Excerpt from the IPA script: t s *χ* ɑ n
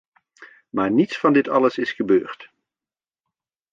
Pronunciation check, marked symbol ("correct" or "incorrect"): incorrect